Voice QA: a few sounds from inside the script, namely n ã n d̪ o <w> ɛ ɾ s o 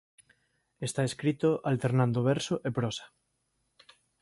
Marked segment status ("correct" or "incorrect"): incorrect